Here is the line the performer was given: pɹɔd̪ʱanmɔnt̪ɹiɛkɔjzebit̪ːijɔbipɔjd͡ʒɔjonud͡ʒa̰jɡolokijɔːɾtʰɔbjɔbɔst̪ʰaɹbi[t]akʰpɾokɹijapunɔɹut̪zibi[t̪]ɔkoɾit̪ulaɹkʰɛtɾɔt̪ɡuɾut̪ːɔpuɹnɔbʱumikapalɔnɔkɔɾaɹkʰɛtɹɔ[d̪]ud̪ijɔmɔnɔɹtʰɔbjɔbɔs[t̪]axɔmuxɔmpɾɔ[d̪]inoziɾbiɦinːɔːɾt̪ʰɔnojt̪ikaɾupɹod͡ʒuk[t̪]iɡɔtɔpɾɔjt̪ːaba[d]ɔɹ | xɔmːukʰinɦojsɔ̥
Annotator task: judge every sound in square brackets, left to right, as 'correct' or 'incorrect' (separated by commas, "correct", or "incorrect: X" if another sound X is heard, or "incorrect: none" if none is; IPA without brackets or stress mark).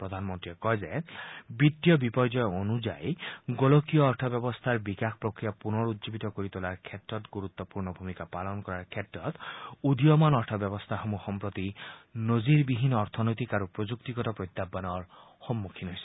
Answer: incorrect: k, correct, incorrect: t̪, incorrect: t̪ʰ, incorrect: t̪, correct, incorrect: n